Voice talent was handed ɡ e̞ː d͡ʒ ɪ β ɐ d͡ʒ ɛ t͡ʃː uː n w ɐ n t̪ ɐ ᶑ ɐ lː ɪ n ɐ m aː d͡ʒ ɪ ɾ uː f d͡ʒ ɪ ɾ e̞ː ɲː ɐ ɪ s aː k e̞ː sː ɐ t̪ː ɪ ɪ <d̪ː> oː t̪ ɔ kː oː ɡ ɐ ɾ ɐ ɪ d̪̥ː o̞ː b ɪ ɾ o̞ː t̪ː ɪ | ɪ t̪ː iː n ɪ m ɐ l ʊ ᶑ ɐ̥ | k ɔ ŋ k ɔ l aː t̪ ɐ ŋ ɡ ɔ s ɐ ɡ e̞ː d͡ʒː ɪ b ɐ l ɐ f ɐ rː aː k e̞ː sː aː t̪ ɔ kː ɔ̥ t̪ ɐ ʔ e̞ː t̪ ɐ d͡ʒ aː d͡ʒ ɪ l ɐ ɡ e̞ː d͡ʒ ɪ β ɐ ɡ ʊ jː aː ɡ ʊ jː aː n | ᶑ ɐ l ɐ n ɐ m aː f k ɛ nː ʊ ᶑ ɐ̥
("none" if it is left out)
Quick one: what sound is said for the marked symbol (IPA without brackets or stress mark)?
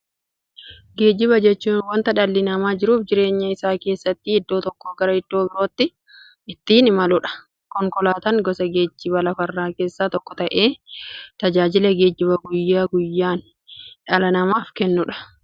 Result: d̪ː